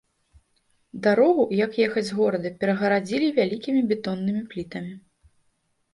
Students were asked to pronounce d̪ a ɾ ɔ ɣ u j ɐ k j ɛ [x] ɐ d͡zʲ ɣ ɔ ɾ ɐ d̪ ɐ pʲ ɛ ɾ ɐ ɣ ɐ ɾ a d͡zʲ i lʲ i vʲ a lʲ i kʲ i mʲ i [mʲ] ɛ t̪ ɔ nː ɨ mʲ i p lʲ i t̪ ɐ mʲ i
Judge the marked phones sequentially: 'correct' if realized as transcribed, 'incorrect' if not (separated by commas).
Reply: correct, incorrect